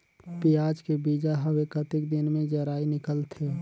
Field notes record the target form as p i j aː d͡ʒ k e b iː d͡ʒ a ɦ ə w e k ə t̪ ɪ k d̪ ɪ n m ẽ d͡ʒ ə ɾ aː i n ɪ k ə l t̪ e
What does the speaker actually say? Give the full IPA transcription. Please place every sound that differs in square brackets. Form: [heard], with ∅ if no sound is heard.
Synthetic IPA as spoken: p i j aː d͡ʒ k e b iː d͡ʒ a ɦ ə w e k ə t̪ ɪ k d̪ ɪ n m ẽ d͡ʒ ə ɾ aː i n ɪ k ə l [t̪ʰ] e